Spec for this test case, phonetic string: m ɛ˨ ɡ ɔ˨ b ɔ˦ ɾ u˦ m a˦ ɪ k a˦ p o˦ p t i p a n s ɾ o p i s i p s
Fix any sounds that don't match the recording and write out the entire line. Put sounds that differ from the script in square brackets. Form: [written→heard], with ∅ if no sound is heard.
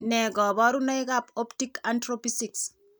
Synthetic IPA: [m→n] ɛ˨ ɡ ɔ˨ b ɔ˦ ɾ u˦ [m→n] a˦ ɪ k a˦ p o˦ p t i [p→k] a n [s→t] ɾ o p i s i [p→k] s